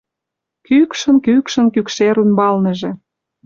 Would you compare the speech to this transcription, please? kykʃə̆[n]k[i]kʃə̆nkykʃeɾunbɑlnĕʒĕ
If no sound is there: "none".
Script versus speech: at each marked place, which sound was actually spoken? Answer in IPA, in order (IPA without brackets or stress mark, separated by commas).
n, y